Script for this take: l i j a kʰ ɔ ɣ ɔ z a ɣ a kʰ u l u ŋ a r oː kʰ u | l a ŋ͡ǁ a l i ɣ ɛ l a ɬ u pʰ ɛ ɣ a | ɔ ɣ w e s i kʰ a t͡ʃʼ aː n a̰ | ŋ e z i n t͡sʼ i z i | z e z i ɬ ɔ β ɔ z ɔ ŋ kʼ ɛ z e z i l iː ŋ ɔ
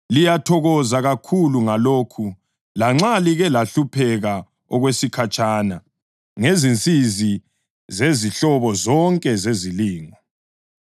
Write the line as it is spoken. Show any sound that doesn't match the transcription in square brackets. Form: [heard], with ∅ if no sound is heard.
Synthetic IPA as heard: l i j a [tʰ] ɔ ɣ ɔ z a ɣ a kʰ u l u ŋ a [l] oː kʰ u | l a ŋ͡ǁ a l i ɣ ɛ l a ɬ u pʰ ɛ ɣ a | ɔ ɣ w e s i kʰ a t͡ʃʼ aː n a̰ | ŋ e z i n t͡sʼ i z i | z e z i ɬ ɔ β ɔ z ɔ ŋ kʼ ɛ z e z i l iː ŋ ɔ